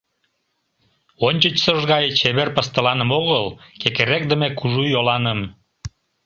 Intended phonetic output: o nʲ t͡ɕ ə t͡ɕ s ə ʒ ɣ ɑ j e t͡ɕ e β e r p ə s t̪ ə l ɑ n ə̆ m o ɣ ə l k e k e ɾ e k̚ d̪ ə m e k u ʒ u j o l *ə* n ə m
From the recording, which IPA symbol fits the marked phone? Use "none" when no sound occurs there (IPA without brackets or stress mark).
ɑ